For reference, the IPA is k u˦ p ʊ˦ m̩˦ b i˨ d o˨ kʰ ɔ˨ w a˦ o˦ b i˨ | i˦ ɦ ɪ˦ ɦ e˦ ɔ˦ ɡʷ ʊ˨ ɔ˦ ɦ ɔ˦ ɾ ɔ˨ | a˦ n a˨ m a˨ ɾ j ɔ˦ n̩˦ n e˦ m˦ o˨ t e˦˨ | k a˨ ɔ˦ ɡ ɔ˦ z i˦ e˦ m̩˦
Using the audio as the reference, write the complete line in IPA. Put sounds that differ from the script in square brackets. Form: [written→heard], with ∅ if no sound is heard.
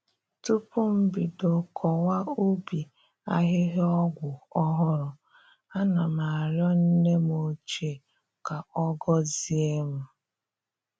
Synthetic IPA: [k→t] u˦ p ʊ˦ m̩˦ b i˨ d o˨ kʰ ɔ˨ w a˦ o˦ b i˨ | [i˦→a˦] ɦ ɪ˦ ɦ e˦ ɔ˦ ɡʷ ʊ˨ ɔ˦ ɦ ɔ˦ ɾ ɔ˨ | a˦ n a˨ m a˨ ɾ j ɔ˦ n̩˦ n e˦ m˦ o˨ [t→t͡ʃ] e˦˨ | k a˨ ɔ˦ ɡ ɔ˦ z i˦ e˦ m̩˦